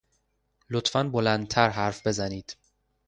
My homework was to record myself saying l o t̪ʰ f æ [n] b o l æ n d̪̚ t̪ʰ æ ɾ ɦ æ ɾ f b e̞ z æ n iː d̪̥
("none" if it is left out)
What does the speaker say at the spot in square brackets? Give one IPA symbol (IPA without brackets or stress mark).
n